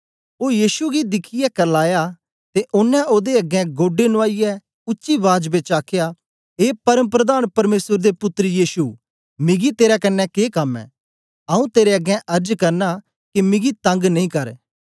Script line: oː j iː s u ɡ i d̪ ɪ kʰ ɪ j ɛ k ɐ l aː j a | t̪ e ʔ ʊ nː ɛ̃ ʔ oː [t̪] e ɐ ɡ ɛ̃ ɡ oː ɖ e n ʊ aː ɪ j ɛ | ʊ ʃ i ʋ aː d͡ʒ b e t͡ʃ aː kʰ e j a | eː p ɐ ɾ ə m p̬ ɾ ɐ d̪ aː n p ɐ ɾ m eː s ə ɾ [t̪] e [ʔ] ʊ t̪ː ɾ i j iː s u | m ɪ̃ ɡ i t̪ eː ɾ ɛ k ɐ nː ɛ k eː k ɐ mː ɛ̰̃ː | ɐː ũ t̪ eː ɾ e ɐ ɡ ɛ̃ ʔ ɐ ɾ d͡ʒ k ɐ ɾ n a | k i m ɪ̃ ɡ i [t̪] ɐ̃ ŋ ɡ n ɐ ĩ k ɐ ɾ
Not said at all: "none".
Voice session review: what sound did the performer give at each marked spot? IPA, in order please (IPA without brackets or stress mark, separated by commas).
d̪, d̪, p, t̪